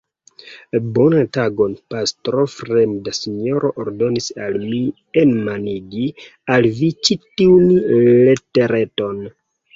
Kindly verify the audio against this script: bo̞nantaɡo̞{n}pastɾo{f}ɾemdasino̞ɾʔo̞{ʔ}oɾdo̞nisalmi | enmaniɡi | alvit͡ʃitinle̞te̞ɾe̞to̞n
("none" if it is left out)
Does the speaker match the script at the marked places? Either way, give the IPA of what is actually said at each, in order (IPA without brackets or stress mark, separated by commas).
n, f, ʔ